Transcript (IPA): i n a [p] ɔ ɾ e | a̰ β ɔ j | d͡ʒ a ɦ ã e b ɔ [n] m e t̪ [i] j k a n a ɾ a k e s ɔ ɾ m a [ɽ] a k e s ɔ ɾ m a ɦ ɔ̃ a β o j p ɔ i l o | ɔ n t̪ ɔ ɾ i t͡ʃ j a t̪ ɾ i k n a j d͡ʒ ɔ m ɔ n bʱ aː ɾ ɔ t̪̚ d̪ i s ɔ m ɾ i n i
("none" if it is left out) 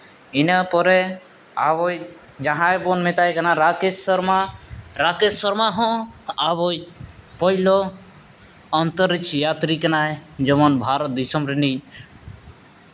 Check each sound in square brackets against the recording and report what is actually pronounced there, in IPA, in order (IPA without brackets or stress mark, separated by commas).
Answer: p, n, a, ɾ